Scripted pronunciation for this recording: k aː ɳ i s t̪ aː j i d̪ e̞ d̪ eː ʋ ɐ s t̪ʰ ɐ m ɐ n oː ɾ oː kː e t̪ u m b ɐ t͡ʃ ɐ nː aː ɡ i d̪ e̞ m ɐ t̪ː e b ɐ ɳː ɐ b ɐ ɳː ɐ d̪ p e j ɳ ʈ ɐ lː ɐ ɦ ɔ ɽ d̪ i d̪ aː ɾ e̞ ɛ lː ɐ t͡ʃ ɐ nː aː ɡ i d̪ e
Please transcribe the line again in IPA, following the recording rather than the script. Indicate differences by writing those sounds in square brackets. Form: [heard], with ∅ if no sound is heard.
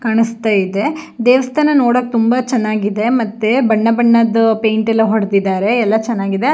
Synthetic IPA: k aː ɳ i s t̪ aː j i d̪ e̞ d̪ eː ʋ ɐ s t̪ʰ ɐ [n] ɐ n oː [ɽ] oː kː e t̪ u m b ɐ t͡ʃ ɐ nː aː ɡ i d̪ e̞ m ɐ t̪ː e b ɐ ɳː ɐ b ɐ ɳː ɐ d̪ p e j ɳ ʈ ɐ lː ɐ ɦ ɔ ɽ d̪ i d̪ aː ɾ e̞ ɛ lː ɐ t͡ʃ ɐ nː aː ɡ i d̪ e